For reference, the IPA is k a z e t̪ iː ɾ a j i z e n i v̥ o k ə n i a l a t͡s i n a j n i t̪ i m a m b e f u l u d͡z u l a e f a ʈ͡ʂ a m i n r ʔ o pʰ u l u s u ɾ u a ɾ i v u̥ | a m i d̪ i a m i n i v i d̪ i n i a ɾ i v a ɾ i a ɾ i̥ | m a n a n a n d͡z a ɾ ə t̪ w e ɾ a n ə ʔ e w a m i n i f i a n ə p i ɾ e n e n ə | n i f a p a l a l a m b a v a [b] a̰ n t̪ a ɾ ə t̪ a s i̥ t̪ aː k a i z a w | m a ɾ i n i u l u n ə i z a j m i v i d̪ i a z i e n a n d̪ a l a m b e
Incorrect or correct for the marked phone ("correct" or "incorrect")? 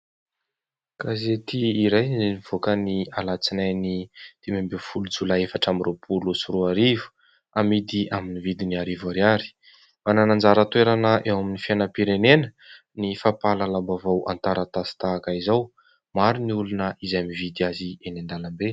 incorrect